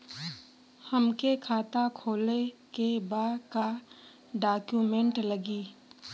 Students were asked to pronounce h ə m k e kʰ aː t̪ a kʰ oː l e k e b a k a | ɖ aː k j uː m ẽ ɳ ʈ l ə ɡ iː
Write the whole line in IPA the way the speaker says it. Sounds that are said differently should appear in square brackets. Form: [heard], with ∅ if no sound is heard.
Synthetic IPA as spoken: h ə m k e kʰ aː t̪ a kʰ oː l e k e b a k a | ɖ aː k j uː m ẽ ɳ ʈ l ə ɡ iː